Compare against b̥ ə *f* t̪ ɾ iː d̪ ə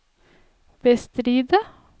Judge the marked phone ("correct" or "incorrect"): incorrect